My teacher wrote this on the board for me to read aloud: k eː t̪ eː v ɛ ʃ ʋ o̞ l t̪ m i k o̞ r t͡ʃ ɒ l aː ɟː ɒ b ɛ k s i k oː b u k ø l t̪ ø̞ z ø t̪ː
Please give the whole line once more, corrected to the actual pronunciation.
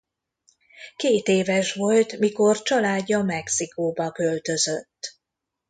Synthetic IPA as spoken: k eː t̪ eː v ɛ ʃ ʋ o̞ l t̪ m i k o̞ r t͡ʃ ɒ l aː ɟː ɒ m ɛ k s i k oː b ɒ k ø l t̪ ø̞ z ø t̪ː